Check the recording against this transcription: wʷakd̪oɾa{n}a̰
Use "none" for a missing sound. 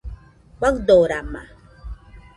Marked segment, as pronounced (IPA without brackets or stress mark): m